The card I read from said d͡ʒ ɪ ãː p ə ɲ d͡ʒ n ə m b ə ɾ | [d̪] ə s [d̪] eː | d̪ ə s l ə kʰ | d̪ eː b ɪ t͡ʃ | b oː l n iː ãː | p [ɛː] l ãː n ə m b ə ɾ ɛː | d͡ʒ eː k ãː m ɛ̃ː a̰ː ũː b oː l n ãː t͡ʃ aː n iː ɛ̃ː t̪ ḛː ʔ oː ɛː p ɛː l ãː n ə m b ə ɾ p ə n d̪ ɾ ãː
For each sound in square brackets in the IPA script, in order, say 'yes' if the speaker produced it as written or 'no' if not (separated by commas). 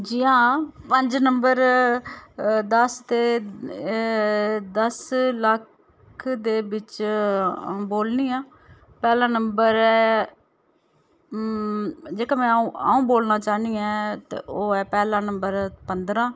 yes, no, yes